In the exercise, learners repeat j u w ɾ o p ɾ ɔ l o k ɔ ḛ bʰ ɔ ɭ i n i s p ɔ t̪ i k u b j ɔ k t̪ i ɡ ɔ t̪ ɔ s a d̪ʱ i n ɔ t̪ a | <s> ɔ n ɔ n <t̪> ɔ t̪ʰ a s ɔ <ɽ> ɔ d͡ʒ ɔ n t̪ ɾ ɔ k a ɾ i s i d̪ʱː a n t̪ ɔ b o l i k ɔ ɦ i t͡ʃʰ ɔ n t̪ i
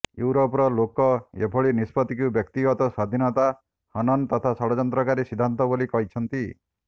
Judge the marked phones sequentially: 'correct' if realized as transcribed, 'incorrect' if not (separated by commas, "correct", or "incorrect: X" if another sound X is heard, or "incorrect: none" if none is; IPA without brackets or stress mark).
incorrect: h, correct, correct